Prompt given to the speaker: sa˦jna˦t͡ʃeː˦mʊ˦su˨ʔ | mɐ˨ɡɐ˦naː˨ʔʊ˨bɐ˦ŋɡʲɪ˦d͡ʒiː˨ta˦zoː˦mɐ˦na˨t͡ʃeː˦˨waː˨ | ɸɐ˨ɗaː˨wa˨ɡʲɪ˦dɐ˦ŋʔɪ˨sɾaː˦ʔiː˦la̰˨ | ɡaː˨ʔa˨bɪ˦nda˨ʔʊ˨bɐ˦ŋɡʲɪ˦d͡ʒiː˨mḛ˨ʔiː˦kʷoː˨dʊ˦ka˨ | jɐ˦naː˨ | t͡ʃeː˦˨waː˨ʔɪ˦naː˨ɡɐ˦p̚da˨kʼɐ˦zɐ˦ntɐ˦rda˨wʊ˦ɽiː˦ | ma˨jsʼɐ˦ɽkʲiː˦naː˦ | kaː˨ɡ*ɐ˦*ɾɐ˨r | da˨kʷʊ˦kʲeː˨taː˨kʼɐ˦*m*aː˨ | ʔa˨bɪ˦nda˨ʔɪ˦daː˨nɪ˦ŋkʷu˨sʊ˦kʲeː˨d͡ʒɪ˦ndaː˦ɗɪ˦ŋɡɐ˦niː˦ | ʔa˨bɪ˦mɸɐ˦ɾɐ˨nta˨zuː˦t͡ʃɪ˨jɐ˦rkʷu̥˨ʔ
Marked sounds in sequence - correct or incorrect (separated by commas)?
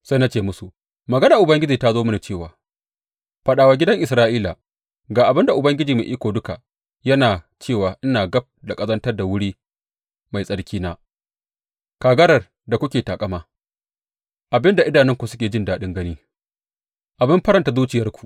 correct, correct